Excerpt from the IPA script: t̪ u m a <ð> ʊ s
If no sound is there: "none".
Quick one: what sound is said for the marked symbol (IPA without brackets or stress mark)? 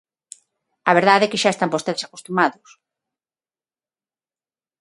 ð